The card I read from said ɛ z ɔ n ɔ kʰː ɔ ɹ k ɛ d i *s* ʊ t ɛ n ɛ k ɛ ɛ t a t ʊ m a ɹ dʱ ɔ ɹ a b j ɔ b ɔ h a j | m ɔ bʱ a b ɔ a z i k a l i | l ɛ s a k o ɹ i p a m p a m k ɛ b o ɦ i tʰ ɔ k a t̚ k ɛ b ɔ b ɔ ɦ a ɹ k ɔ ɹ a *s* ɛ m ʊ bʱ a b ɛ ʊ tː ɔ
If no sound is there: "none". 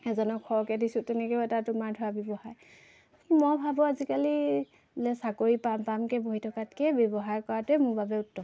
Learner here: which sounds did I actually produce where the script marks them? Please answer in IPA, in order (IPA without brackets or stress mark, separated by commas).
s, t